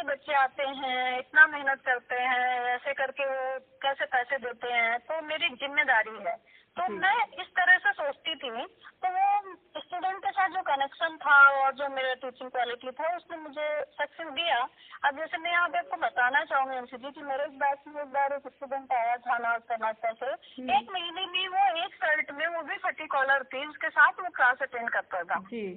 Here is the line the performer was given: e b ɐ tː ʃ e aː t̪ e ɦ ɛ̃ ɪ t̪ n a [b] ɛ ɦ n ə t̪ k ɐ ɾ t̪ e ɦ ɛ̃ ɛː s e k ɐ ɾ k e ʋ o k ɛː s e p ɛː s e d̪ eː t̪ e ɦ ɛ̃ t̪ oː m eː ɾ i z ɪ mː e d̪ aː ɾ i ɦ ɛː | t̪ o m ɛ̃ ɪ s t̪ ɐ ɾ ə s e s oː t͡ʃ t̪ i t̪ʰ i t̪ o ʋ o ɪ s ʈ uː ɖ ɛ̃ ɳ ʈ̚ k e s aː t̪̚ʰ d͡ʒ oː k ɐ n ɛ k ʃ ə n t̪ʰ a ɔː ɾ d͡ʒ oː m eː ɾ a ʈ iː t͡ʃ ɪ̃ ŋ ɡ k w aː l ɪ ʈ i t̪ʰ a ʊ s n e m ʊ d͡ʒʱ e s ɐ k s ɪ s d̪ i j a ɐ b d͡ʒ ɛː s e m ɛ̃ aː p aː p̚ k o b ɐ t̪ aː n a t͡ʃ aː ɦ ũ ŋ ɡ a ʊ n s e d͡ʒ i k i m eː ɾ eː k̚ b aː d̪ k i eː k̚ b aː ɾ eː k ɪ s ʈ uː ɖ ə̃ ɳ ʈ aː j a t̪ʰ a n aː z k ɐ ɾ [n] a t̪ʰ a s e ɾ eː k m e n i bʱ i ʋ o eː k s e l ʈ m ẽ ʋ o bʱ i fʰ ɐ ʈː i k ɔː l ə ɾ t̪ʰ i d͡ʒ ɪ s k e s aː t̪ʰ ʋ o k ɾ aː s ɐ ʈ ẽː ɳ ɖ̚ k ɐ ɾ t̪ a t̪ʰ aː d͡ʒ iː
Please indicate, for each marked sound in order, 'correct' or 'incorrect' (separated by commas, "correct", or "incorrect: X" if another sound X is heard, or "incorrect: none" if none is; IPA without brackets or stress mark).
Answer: incorrect: m, correct